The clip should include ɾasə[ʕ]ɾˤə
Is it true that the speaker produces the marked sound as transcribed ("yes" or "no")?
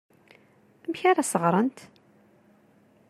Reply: no